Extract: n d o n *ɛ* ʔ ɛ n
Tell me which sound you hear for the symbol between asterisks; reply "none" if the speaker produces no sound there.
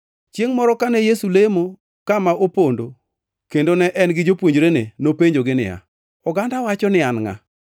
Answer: ɛ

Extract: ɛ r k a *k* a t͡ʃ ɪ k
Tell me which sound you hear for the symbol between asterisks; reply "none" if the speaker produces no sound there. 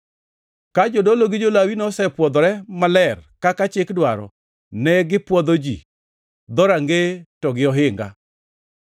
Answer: k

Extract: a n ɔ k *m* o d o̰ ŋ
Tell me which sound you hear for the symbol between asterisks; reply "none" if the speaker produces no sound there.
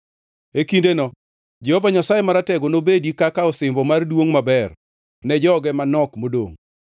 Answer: m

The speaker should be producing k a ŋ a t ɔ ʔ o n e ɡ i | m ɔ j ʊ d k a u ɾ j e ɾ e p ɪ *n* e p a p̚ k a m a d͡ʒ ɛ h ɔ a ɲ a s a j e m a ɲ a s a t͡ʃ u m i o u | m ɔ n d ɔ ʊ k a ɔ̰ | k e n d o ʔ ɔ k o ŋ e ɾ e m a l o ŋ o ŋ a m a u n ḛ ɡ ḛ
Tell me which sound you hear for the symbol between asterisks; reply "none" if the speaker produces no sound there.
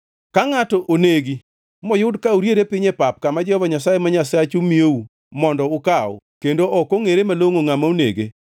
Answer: ɲ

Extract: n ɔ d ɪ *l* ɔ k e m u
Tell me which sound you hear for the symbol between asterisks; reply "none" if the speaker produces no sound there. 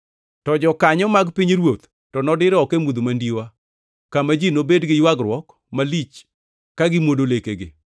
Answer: ɾ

